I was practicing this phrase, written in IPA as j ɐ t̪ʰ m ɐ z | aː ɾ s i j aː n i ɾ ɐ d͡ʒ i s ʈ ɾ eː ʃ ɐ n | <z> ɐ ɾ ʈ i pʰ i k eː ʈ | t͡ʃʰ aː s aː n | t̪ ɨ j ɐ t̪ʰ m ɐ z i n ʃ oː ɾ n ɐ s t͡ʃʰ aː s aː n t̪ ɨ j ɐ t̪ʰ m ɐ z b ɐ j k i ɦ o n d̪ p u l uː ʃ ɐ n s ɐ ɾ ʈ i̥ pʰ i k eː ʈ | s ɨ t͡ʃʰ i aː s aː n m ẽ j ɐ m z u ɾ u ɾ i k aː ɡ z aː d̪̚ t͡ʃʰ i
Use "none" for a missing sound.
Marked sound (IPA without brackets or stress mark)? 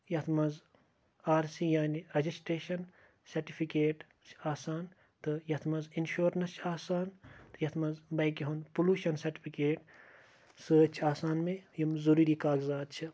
s